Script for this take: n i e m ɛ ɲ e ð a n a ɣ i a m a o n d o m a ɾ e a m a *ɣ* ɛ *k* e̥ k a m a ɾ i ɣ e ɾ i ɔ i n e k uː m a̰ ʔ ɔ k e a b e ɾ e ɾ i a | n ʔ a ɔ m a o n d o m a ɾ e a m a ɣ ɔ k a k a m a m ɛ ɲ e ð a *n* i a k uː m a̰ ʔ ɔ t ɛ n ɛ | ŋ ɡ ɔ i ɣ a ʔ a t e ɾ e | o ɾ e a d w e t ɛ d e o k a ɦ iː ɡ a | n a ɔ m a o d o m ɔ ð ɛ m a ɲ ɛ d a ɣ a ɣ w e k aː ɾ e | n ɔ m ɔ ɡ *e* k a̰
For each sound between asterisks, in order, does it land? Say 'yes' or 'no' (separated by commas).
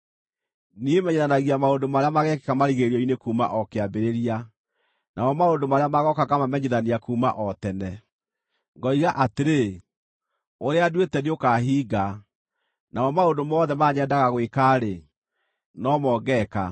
yes, yes, yes, no